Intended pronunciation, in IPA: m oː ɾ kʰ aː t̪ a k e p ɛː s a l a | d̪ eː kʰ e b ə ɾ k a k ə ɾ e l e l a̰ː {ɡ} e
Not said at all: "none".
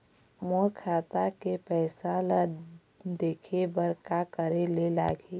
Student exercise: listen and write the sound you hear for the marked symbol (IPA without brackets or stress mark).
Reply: ɡ